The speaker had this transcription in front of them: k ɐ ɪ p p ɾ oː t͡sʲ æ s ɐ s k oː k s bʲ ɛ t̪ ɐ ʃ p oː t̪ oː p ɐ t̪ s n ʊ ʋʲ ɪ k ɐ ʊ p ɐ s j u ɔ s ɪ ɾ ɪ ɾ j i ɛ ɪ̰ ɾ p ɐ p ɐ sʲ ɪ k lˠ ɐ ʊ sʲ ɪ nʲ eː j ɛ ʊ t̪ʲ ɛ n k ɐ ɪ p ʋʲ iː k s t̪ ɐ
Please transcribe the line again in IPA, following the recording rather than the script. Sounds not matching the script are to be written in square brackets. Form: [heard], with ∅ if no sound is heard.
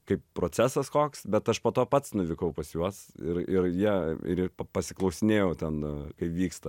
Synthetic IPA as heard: k ɐ ɪ p p ɾ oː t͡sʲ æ s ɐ s k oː k s bʲ ɛ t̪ ɐ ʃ p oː t̪ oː p ɐ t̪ s n ʊ ʋʲ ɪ k ɐ ʊ p ɐ s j u ɔ s ɪ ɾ ɪ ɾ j i ɛ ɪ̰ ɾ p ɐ p ɐ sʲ ɪ k lˠ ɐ ʊ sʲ ɪ nʲ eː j ɛ ʊ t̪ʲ ɛ n k ɐ ɪ p ʋʲ iː k s t̪ ɐ